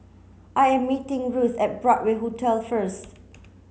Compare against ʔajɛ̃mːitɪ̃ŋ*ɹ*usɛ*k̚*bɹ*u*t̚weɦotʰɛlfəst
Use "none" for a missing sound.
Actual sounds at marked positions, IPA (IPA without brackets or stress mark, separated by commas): ɹ, t̚, ɔ